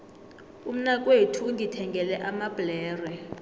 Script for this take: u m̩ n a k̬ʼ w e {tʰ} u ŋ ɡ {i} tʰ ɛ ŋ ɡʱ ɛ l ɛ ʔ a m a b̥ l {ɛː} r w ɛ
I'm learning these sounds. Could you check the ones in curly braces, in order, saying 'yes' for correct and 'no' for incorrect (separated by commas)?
yes, yes, yes